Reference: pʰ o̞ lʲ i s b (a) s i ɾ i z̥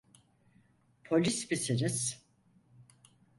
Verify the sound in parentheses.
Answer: incorrect: i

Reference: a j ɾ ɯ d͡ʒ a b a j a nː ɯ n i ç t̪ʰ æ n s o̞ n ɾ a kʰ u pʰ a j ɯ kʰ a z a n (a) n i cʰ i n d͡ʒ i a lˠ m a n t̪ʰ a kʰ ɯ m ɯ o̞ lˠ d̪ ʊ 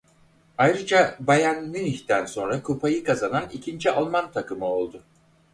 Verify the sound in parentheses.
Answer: correct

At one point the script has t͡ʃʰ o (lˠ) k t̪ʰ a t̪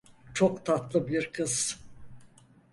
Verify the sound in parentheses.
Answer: incorrect: none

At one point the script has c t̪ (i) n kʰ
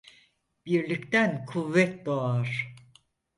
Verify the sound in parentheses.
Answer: incorrect: æ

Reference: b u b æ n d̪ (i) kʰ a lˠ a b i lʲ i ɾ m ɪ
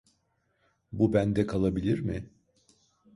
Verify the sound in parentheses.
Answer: incorrect: ɛ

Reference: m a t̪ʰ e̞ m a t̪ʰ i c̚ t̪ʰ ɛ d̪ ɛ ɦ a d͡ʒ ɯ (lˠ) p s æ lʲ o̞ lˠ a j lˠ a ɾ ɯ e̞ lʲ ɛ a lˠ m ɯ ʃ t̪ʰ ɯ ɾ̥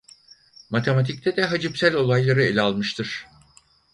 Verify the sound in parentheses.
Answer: incorrect: none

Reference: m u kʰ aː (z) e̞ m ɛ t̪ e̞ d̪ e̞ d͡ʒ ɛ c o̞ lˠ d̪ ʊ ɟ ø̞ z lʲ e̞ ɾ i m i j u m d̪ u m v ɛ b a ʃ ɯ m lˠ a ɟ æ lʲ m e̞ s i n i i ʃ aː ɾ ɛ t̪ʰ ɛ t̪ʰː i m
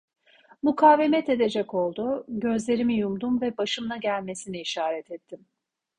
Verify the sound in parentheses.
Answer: incorrect: v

